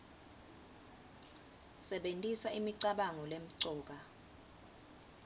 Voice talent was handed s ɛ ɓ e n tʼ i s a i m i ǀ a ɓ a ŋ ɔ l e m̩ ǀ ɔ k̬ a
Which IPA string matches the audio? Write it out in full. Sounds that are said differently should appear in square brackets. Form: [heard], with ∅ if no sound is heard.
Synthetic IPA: s ɛ ɓ e n tʼ i s a i m i ǀ a ɓ a ŋ ɔ l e m̩ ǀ [ɔː] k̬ a